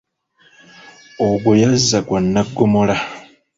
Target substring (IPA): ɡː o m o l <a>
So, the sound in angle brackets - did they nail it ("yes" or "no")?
yes